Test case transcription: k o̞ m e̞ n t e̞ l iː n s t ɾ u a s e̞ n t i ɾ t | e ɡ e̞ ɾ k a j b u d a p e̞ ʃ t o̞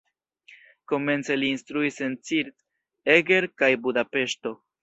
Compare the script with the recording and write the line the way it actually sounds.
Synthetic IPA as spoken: k o̞ m e̞ n t͡s e̞ l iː n s t ɾ u i s e̞ n t͡s i ɾ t | e ɡ e̞ ɾ k a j b u d a p e̞ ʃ t o̞